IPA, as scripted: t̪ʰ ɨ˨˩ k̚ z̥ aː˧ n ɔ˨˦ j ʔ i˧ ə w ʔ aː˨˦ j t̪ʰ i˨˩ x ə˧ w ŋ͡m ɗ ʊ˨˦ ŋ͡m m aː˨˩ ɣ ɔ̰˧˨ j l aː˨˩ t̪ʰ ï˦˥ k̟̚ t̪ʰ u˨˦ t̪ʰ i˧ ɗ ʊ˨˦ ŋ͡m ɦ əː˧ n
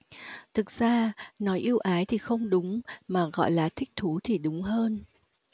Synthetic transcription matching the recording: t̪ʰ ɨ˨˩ k̚ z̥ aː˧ n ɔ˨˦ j ʔ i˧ ə w ʔ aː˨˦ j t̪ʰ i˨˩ x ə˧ w ŋ͡m ɗ ʊ˨˦ ŋ͡m m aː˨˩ ɣ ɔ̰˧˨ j l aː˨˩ t̪ʰ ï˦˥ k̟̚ t̪ʰ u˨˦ t̪ʰ i˨˩ ɗ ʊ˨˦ ŋ͡m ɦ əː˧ n

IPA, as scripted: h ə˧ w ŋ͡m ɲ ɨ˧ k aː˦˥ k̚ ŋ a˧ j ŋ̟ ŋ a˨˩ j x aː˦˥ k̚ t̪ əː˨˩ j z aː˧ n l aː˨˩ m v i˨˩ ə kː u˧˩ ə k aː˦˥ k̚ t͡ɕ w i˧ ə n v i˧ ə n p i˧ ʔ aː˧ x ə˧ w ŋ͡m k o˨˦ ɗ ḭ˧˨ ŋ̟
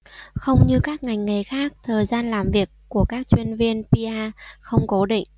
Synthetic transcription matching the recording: x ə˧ w ŋ͡m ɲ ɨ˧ k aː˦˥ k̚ ŋ a˨˩ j ŋ̟ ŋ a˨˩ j x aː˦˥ k̚ t̪ʰ əː˨˩ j z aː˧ n l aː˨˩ m v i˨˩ ə kː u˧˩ ə k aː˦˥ k̚ t͡ɕ w i˧ ə n v i˧ ə n p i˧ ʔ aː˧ x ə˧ w ŋ͡m k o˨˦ ɗ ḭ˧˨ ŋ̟

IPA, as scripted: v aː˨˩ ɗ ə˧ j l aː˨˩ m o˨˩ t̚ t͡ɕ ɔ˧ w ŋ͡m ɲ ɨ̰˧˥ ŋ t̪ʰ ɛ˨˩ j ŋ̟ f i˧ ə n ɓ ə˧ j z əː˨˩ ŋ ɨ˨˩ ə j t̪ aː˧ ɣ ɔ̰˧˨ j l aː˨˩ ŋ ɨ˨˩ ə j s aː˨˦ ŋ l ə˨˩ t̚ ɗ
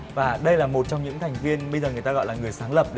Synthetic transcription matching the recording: v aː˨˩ ɗ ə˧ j l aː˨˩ m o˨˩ t̚ t͡ɕ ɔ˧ w ŋ͡m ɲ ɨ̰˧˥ ŋ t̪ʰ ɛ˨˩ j ŋ̟ v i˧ ə n ɓ ə˧ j z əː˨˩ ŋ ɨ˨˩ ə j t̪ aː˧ ɣ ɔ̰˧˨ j l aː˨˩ ŋ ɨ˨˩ ə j s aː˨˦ ŋ l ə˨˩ p̚ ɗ

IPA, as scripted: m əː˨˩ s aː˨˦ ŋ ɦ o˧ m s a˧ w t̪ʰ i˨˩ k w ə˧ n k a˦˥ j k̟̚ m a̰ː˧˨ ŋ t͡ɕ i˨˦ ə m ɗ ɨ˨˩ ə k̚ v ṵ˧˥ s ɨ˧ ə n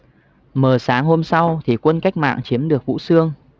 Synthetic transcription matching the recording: m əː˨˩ s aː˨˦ ŋ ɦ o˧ m s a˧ w t̪ʰ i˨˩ k w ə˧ n k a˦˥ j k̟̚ m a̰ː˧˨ ŋ t͡ɕ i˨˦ ə m ɗ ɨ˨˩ ə k̚ v ṵ˧˥ s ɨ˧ ə ŋ

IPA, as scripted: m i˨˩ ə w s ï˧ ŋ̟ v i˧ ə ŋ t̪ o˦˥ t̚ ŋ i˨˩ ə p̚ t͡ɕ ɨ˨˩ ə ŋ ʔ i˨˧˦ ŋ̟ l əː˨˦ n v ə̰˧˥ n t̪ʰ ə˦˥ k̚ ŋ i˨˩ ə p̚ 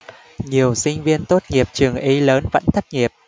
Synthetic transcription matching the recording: ɲ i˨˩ ə w s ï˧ ŋ̟ v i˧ ə n t̪ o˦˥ t̚ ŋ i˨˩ ə p̚ t͡ɕ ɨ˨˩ ə ŋ ʔ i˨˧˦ l əː˨˦ n v ə̰˧˥ n t̪ʰ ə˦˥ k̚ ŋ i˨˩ ə p̚

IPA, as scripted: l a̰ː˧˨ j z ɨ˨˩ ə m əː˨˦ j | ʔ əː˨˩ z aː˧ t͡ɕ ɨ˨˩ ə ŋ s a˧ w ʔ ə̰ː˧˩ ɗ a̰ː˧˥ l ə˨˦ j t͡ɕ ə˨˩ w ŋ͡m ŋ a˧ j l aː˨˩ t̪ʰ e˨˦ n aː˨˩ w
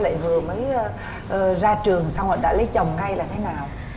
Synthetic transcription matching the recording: l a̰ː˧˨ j v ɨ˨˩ ə m əː˨˦ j | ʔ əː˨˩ z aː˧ t͡ɕ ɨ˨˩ ə ŋ s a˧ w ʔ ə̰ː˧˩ ɗ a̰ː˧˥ l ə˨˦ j t͡ɕ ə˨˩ w ŋ͡m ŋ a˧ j l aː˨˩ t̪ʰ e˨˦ n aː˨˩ w

